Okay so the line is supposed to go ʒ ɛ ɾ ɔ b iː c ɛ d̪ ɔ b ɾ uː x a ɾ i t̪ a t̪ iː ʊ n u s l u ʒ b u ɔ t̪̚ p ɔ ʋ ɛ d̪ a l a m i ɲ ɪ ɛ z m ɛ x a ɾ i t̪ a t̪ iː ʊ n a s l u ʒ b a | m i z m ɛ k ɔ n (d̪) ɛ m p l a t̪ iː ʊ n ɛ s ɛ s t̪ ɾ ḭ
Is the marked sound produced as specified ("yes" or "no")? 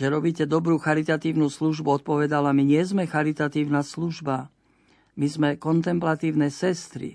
no